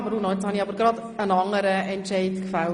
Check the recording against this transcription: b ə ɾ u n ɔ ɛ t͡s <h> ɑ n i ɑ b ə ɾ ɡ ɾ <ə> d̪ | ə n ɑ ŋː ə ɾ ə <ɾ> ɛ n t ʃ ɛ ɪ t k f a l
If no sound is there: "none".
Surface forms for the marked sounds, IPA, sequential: h, ɑ, none

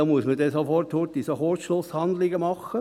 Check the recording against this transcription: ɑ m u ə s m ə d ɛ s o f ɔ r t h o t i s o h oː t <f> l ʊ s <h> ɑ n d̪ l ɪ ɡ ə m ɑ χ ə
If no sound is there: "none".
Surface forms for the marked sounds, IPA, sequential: ʃ, h

